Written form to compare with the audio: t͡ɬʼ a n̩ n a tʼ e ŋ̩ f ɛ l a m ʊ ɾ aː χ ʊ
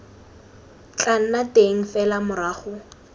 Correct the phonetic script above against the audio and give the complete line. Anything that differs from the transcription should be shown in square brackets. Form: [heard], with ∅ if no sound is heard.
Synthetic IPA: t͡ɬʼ a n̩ n a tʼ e ŋ̩ f ɛ l a m ʊ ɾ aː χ ʊ